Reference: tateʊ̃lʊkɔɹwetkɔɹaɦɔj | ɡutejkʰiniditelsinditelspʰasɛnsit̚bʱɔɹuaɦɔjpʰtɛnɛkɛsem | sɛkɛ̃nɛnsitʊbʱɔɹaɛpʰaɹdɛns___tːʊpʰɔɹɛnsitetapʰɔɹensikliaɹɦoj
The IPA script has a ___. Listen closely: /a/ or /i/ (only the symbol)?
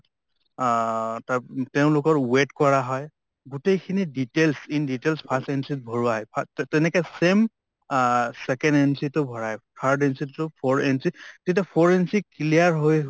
i